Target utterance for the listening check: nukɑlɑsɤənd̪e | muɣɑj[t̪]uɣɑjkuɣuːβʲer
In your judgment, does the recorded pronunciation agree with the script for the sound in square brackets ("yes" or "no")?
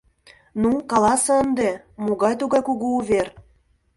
yes